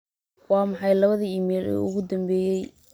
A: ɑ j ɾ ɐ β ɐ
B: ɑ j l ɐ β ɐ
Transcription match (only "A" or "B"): B